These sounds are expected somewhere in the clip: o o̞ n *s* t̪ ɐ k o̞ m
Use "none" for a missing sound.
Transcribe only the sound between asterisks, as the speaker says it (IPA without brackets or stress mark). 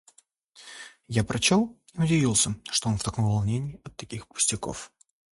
f